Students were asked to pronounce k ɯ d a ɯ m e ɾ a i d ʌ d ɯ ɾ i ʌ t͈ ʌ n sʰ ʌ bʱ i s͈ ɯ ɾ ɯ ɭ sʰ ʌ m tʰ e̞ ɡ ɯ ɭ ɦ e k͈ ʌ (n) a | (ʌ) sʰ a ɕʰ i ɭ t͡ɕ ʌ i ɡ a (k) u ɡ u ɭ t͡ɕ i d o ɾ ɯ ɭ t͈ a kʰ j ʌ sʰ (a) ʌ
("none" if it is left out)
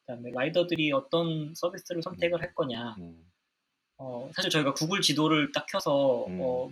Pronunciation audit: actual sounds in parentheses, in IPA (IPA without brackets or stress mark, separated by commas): ɲ, ʌ, k, ʌ